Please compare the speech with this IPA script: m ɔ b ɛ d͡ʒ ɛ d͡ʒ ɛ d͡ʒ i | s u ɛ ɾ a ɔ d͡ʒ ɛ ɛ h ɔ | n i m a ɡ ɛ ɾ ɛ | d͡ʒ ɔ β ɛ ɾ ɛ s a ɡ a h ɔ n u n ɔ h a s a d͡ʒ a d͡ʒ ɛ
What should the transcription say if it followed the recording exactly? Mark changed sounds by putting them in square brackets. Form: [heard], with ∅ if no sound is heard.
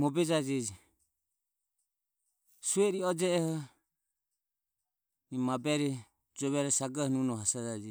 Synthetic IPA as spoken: m ɔ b ɛ d͡ʒ [a] d͡ʒ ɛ d͡ʒ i | s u ɛ ɾ [i] ɔ d͡ʒ ɛ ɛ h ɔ | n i m a [b] ɛ ɾ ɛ | d͡ʒ ɔ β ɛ ɾ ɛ s a ɡ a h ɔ n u n ɔ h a s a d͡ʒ a d͡ʒ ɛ